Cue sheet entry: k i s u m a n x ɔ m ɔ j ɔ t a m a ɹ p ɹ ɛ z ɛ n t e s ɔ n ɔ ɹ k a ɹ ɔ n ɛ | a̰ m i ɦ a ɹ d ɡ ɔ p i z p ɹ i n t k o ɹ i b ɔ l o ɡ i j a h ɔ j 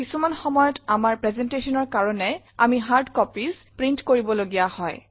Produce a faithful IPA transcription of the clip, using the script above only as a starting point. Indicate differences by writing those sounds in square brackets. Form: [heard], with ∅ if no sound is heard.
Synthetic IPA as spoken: k i s u m a n x ɔ m ɔ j ɔ t a m a ɹ p ɹ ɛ z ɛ n t e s ɔ n ɔ ɹ k a ɹ ɔ n ɛ | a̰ m i ɦ a ɹ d [k] ɔ p i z p ɹ i n t k o ɹ i b ɔ l o ɡ i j a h ɔ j